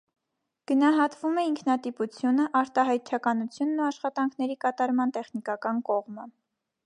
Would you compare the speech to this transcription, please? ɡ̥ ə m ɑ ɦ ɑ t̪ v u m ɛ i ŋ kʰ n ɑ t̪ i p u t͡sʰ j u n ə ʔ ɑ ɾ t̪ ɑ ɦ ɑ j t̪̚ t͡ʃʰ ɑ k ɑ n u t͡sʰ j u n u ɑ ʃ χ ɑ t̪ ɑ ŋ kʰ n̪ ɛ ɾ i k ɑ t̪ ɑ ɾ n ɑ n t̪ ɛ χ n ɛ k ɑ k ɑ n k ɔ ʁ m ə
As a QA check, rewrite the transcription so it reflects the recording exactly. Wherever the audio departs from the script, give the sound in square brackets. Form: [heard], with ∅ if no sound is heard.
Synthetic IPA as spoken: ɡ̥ ə [n] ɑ ɦ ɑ t̪ v u m ɛ i ŋ kʰ n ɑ t̪ i p u t͡sʰ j u n ə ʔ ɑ ɾ t̪ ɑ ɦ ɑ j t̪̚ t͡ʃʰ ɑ k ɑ n u t͡sʰ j u [nː] u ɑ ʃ χ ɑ t̪ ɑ ŋ kʰ n̪ ɛ ɾ i k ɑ t̪ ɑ ɾ [m] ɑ n t̪ ɛ χ n [i] k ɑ k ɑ n k ɔ ʁ m ə